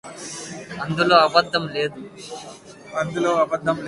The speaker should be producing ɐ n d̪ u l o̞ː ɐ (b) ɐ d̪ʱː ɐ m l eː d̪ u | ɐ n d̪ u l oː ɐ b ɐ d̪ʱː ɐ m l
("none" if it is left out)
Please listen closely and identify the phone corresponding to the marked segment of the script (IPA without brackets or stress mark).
b